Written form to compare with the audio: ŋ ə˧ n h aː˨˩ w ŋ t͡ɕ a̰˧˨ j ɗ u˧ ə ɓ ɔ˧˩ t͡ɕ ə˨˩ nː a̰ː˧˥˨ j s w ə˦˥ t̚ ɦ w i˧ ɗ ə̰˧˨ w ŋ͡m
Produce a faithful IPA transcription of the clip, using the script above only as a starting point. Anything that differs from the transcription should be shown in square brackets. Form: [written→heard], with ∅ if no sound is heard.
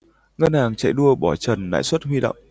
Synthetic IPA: ŋ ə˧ n h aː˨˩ [w→∅] ŋ t͡ɕ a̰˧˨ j ɗ u˧ ə ɓ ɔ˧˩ t͡ɕ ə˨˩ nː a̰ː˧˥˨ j s w ə˦˥ t̚ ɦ w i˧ ɗ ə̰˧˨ w ŋ͡m